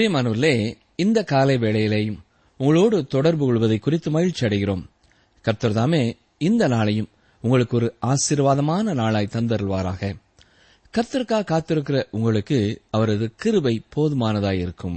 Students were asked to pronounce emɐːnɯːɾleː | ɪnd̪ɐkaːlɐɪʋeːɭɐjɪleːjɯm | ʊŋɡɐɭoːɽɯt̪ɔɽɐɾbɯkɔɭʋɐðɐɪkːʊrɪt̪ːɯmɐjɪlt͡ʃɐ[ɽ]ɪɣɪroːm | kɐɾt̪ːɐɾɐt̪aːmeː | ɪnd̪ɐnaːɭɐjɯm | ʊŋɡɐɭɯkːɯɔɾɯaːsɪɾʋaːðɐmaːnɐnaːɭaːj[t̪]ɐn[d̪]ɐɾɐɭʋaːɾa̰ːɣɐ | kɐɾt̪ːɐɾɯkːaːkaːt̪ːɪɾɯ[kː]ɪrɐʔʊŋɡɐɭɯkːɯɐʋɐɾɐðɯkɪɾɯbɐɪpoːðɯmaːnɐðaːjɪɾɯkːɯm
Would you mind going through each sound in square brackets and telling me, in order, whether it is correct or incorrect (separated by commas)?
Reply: correct, correct, correct, correct